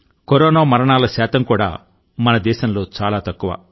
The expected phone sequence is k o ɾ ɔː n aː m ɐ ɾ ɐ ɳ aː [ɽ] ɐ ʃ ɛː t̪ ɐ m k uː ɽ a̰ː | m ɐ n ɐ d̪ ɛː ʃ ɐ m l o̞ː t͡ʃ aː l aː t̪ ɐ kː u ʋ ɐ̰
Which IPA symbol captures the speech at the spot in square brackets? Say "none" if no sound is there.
l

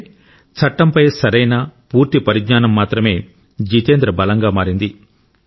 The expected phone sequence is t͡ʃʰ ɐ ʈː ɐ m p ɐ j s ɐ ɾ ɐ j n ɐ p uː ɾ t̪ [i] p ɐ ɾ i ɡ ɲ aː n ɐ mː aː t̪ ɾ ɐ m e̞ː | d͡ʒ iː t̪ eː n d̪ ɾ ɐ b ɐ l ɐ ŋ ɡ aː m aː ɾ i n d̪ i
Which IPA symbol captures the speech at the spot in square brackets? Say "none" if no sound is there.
i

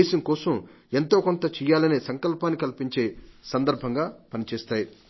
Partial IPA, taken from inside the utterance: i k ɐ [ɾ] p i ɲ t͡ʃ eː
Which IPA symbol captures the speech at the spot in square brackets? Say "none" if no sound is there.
l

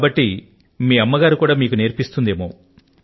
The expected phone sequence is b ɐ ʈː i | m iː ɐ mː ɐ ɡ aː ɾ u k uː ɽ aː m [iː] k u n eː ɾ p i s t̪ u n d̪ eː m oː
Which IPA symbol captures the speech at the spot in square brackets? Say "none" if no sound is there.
iː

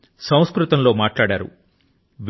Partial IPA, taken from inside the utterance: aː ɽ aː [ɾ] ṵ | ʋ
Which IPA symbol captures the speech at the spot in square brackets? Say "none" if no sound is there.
ɾ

